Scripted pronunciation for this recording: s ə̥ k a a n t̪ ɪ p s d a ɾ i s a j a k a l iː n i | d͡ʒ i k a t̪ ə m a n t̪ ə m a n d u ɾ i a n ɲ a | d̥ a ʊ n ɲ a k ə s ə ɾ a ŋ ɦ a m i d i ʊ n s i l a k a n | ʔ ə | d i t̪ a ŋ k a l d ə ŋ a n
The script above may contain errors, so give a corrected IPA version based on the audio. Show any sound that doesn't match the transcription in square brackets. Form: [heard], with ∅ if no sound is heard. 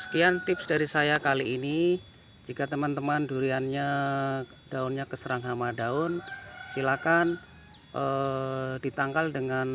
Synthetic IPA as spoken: s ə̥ k [i] a n t̪ ɪ p s d a ɾ i s a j a k a l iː n i | d͡ʒ i k a t̪ ə m a n t̪ ə m a n d u ɾ i a n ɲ a | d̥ a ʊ n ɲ a k ə s ə ɾ a ŋ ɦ a m [a] d [a] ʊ n s i l a k a n | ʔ ə | d i t̪ a ŋ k a l d ə ŋ a n